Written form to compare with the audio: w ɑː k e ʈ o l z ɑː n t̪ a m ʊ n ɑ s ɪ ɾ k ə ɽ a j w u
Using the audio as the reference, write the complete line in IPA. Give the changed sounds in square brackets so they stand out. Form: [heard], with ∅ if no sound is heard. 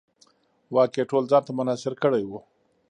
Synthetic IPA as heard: w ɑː k e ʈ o l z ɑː n t̪ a m ʊ n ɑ s ɪ ɾ k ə ɽ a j w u